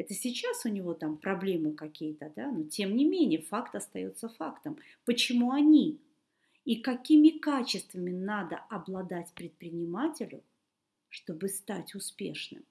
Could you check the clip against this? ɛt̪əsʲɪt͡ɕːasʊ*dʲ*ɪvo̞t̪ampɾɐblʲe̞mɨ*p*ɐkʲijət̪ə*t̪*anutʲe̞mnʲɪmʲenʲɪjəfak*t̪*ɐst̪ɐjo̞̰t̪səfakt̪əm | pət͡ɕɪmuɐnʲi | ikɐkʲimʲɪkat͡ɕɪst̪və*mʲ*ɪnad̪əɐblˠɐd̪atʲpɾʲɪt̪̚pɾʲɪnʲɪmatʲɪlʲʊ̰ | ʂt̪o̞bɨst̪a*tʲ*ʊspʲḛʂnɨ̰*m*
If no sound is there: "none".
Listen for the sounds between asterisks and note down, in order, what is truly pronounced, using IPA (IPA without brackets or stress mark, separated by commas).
nʲ, k, d̪, t̪, mʲ, tʲ, m